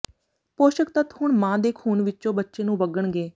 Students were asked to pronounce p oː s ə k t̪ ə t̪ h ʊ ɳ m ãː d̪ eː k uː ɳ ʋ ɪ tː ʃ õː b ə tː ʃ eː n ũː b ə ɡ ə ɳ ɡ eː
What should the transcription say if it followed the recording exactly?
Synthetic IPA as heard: p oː ʃ ə k t̪ ə t̪ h ʊ ɳ m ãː d̪ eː kʰ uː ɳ ʋ ɪ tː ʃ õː b ə tː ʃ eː n ũː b ə ɡ ə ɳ ɡ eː